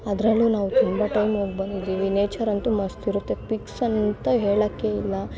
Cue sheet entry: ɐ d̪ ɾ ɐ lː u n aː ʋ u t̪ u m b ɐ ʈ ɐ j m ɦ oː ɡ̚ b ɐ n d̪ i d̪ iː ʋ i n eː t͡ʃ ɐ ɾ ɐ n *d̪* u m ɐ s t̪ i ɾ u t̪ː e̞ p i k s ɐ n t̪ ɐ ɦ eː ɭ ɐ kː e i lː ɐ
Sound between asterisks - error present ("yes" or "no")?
yes